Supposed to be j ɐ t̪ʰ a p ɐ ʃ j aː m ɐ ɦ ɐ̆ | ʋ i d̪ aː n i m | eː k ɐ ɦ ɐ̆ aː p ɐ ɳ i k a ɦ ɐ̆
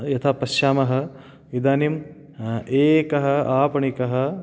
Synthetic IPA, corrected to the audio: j ɐ t̪ʰ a p ɐ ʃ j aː m ɐ ɦ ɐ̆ | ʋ i d̪ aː n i m | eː k ɐ ɦ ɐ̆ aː p ɐ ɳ i k ɐ ɦ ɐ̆